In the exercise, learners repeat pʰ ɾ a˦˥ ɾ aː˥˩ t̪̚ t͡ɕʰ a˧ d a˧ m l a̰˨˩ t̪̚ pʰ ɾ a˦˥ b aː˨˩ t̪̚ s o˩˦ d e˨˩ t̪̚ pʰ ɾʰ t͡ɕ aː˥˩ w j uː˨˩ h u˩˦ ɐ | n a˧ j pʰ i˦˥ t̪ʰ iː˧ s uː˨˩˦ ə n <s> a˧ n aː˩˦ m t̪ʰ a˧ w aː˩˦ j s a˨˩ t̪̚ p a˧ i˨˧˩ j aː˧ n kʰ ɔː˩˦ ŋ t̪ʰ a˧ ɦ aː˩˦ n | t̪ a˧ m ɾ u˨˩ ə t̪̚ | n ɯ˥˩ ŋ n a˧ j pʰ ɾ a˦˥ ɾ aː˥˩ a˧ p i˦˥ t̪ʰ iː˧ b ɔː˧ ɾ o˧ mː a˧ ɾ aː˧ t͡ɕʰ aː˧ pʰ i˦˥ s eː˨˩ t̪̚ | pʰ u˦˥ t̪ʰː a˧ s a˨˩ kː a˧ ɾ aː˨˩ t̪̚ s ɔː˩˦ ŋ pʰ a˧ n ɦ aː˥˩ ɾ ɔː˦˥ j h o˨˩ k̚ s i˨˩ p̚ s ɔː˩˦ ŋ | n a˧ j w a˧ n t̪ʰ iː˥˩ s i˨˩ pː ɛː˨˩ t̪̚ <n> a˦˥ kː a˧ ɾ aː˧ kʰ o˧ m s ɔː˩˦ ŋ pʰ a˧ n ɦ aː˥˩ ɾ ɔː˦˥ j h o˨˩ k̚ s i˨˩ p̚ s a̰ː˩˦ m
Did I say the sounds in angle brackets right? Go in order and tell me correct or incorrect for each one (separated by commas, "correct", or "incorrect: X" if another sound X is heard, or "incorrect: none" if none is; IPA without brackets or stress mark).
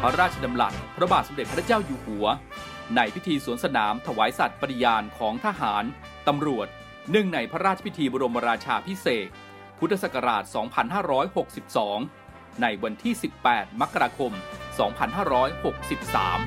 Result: correct, incorrect: m